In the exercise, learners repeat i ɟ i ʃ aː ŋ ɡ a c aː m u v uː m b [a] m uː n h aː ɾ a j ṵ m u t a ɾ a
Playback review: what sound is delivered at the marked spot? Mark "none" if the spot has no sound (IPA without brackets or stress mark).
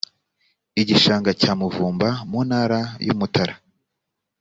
a